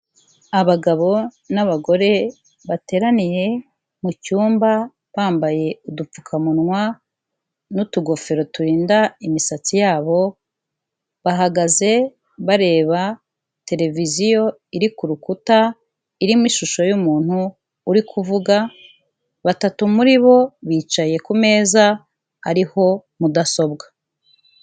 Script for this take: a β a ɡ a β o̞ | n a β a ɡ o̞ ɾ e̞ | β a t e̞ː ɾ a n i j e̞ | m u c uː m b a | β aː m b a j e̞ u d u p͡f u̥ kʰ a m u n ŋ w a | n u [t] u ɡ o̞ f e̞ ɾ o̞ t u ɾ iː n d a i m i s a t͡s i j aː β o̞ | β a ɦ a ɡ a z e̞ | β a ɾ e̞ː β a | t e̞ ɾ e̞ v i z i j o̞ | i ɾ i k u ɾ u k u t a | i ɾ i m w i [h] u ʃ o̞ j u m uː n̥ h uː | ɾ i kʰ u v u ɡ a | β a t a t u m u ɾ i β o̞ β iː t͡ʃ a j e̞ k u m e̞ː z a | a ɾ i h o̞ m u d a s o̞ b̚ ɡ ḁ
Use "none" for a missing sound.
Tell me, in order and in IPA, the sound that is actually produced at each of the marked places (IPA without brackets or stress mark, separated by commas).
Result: t, ʃ